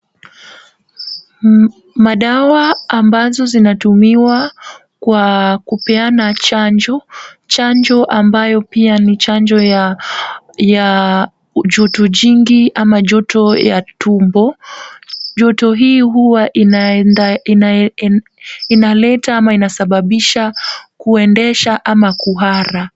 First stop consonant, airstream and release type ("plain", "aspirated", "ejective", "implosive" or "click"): implosive